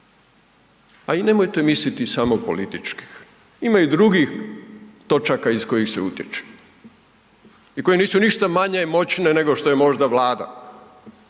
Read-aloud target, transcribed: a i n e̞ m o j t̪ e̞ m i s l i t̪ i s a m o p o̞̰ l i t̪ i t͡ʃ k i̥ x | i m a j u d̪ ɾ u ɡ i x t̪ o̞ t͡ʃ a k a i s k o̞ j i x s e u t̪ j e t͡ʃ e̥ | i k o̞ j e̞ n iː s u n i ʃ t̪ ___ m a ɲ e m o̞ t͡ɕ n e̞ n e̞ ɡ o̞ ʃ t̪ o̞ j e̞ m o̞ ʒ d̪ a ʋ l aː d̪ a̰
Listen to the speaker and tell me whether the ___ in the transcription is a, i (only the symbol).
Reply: a